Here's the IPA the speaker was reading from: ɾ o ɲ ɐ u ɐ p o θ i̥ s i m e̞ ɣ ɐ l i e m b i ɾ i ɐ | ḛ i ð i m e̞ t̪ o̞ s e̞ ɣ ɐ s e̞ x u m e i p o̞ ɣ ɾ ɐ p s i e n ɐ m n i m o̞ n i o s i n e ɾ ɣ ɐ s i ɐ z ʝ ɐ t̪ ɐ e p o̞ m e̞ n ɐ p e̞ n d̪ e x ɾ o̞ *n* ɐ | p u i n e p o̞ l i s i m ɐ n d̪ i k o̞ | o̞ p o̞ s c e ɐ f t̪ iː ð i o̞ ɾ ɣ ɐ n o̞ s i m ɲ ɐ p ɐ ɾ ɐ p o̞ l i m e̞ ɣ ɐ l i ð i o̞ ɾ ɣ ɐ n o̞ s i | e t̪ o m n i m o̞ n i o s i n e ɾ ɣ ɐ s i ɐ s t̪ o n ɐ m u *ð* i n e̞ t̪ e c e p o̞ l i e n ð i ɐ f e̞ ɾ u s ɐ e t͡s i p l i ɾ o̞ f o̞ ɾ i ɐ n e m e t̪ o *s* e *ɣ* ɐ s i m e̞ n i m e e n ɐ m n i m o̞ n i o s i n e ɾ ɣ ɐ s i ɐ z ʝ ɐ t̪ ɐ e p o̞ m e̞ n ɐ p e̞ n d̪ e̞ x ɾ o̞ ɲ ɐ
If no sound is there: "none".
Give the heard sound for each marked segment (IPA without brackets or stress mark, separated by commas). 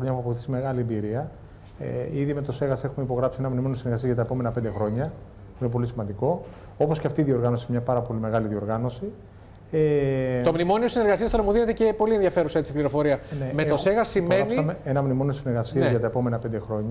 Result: ɲ, ð, s, ɣ